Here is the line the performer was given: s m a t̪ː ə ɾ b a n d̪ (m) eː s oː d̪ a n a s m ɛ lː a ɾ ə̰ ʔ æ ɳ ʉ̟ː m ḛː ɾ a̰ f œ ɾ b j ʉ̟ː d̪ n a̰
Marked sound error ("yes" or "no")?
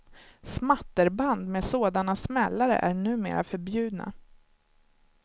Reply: no